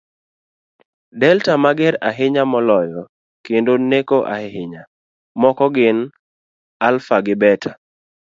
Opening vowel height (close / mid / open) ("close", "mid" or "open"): mid